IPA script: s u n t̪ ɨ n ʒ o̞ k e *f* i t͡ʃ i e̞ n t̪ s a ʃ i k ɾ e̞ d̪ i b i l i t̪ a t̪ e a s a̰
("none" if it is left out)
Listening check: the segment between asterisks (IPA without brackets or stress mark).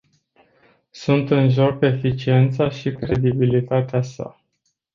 f